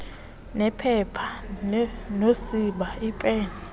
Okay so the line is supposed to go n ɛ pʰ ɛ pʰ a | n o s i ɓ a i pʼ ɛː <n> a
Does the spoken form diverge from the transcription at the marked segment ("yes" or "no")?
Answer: no